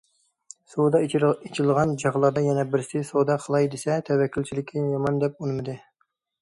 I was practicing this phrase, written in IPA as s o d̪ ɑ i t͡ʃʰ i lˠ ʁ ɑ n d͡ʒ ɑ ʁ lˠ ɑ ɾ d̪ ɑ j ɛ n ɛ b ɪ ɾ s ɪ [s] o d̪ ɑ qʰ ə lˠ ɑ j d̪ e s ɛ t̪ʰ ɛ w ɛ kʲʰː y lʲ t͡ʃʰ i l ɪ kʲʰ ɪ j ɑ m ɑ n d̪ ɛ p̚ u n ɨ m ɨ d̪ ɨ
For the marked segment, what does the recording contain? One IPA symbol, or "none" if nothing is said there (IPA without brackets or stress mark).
s